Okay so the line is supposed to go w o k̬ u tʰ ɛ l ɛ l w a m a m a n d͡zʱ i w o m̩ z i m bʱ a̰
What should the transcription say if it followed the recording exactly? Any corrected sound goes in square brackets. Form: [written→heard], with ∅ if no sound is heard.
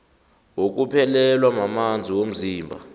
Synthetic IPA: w o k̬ u [tʰ→pʰ] ɛ l ɛ l w a m a m a n d͡zʱ i w o m̩ z [i→iː] m bʱ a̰